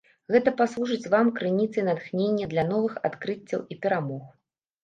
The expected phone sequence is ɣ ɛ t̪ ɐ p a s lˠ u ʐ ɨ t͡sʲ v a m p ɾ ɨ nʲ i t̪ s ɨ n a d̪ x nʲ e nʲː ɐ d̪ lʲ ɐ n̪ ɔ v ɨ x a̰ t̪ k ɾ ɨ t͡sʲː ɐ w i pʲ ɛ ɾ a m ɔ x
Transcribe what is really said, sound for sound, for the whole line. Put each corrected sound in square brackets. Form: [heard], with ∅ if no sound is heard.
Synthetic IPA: ɣ ɛ t̪ ɐ p a s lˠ u ʐ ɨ t͡sʲ v a m [k] ɾ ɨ nʲ i t̪ s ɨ n a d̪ x nʲ e nʲː ɐ d̪ lʲ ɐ n̪ ɔ v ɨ x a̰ t̪ k ɾ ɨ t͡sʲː ɐ w i pʲ ɛ ɾ a m ɔ x